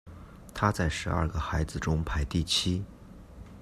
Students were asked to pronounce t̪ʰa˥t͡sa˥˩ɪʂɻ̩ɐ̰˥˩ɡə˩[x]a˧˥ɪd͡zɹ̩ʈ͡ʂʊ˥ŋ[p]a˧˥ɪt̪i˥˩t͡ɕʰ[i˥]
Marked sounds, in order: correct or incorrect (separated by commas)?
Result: correct, incorrect, correct